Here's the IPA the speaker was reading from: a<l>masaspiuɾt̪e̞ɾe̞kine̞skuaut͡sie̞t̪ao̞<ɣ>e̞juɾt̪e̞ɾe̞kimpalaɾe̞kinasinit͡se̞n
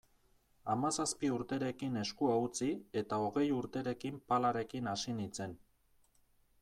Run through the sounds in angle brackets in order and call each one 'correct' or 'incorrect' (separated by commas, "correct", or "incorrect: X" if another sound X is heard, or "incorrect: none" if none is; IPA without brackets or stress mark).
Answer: incorrect: none, correct